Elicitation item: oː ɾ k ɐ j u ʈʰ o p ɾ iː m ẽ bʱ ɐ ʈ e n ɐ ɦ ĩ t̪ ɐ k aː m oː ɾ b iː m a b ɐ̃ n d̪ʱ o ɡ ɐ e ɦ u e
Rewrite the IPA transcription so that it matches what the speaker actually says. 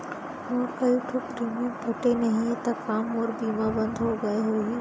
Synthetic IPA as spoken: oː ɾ k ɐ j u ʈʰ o p ɾ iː m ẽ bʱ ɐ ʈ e n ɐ ɦ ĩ t̪ ɐ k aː m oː ɾ b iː m a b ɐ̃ n d̪ʱ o ɡ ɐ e ɦ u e